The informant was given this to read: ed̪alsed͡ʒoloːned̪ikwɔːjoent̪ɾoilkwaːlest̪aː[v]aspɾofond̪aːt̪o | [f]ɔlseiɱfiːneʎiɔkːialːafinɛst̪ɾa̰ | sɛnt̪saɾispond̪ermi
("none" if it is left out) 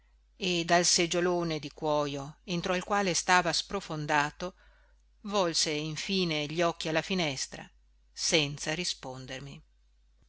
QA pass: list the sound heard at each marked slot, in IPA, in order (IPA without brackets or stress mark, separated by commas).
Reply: v, v